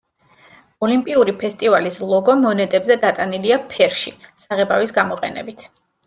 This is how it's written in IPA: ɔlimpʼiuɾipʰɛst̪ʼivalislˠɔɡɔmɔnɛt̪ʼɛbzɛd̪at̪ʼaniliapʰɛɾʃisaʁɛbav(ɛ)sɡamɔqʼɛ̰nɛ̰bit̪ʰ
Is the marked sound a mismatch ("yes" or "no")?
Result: yes